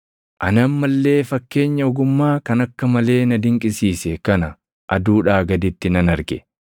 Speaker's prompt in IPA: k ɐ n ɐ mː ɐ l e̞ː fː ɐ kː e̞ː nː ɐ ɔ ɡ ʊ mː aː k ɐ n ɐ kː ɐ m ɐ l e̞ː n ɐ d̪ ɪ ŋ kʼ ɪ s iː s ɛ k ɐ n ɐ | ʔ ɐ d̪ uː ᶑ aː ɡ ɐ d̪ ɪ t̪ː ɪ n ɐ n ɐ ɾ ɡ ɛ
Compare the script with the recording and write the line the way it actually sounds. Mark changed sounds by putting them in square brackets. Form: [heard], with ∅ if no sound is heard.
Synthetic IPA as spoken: [ʔ] ɐ n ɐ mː ɐ [lː] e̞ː [f] ɐ kː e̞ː [ɲː] ɐ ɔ ɡ ʊ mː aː k ɐ n ɐ kː ɐ m ɐ l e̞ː n ɐ d̪ ɪ ŋ kʼ ɪ s iː s ɛ k ɐ n ɐ | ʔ ɐ d̪ uː ᶑ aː ɡ ɐ d̪ ɪ t̪ː ɪ n ɐ n ɐ ɾ ɡ ɛ